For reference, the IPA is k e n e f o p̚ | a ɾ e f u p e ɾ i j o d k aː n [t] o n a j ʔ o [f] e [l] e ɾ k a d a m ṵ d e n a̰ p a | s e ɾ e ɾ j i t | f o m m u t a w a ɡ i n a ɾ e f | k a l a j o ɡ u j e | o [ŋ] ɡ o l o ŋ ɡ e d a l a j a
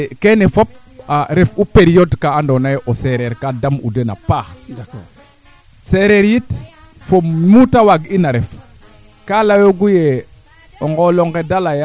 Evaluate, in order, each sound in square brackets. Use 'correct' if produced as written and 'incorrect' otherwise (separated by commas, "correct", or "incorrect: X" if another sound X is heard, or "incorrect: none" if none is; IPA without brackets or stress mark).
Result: incorrect: d, incorrect: s, incorrect: ɾ, correct